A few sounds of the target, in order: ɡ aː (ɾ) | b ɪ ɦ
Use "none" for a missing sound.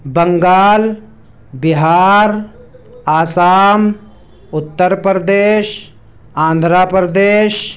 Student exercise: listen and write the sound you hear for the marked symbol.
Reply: l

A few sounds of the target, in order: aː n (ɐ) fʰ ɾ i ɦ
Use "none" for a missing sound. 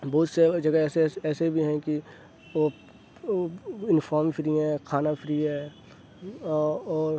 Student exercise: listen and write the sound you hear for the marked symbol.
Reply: a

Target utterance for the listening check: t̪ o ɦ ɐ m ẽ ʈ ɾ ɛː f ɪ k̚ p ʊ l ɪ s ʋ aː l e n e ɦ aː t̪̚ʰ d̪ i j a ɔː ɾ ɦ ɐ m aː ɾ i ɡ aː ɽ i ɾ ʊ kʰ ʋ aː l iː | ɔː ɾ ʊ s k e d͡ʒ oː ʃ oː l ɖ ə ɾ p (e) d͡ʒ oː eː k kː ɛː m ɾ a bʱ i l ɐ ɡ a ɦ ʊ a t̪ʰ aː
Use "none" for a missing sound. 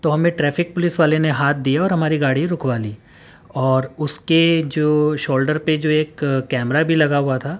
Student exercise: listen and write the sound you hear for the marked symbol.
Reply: e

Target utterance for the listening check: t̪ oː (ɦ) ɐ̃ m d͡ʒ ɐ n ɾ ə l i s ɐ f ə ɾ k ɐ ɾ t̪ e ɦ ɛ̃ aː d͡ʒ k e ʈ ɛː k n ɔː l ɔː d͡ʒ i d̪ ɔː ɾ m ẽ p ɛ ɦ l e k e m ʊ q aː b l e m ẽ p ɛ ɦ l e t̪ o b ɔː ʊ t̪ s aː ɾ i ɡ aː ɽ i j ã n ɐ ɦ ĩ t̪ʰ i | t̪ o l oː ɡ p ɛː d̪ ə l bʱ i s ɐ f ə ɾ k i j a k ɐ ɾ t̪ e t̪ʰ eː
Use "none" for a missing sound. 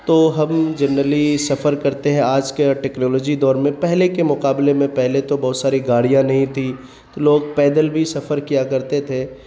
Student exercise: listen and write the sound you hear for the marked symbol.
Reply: ɦ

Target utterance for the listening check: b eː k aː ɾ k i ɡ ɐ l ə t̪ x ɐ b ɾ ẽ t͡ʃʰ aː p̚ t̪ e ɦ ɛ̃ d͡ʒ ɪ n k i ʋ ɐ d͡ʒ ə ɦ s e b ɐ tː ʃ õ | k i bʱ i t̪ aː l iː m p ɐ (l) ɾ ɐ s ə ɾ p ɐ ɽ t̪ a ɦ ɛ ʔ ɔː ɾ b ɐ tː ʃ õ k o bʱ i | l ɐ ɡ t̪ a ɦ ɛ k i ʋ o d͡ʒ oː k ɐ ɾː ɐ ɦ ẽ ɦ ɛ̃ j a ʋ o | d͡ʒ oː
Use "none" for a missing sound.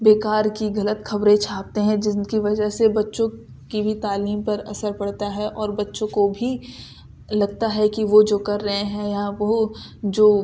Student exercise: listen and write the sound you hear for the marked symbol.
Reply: none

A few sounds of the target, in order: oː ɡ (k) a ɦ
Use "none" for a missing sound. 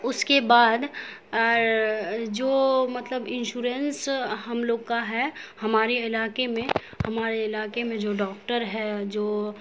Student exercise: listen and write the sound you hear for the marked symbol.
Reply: k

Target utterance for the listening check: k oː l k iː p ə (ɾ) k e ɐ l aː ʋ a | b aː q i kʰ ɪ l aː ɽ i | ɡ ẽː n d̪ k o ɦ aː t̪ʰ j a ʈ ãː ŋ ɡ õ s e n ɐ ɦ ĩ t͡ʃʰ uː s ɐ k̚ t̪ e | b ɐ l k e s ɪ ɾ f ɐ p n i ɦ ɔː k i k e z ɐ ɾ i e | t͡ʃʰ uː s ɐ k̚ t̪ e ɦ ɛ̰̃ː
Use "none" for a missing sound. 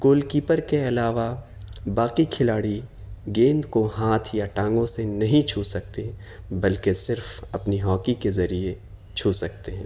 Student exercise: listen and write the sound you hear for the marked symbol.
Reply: ɾ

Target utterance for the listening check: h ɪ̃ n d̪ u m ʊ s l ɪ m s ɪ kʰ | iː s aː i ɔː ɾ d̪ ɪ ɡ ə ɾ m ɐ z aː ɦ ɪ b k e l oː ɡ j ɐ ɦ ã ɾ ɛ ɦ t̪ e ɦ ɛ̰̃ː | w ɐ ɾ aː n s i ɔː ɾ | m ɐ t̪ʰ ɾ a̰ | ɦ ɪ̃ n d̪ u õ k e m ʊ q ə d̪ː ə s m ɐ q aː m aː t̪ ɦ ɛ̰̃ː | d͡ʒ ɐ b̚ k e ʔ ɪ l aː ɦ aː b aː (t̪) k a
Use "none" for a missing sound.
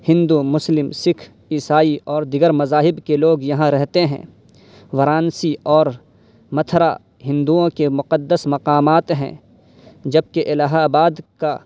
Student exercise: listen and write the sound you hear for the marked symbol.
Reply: d̪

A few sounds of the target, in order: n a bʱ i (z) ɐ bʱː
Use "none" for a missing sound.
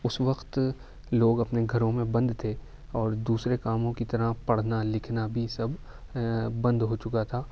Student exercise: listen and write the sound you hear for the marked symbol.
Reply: s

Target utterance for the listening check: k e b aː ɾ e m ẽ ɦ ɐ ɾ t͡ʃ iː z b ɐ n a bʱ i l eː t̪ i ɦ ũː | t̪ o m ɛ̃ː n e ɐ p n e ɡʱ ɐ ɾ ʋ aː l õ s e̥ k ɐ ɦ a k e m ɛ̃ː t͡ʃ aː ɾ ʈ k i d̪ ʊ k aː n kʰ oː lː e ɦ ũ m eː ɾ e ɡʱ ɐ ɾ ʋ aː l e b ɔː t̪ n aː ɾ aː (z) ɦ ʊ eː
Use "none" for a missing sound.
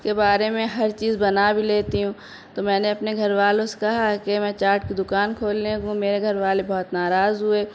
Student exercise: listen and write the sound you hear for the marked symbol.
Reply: z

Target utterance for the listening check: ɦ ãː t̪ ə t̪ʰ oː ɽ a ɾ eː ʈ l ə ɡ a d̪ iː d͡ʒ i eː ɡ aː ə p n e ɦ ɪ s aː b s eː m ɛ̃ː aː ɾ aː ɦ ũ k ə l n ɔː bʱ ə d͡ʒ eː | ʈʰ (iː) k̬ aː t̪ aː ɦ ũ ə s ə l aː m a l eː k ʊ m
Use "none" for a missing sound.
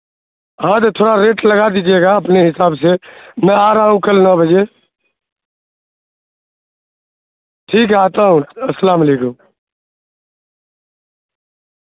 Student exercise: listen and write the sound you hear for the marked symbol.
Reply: iː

